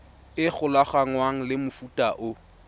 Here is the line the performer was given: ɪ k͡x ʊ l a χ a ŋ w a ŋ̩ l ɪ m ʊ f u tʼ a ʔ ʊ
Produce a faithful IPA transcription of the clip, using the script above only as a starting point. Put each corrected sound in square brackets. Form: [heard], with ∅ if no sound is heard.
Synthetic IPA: ɪ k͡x ʊ l a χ a ŋ w a ŋ̩ l ɪ m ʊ f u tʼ a ʔ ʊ